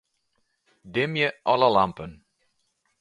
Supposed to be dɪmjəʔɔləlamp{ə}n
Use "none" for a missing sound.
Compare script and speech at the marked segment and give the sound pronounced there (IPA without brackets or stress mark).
ə